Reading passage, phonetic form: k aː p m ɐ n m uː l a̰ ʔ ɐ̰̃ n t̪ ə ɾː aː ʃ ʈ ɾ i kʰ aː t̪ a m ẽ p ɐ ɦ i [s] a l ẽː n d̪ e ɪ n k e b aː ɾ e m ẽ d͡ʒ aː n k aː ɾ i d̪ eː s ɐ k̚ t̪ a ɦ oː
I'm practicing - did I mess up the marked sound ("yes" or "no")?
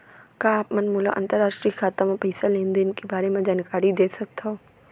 no